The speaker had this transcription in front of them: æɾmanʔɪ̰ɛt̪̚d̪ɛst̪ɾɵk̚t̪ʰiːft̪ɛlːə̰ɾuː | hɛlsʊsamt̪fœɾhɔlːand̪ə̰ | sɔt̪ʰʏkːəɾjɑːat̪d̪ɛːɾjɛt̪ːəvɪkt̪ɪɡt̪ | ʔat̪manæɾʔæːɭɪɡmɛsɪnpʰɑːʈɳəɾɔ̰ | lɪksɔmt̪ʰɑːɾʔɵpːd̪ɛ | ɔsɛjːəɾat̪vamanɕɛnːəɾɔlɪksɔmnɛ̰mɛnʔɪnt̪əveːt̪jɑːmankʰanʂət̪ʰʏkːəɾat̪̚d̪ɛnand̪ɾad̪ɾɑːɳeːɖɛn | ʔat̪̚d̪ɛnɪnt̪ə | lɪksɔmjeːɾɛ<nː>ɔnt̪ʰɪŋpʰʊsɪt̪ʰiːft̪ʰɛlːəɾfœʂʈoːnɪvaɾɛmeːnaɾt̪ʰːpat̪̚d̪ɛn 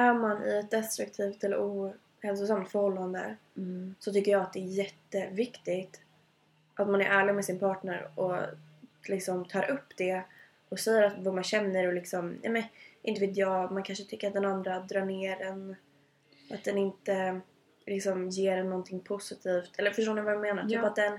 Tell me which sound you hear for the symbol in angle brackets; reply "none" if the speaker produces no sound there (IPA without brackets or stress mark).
nː